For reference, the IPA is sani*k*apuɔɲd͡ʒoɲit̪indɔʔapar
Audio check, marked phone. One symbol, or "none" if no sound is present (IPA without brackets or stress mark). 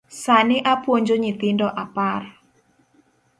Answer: ʔ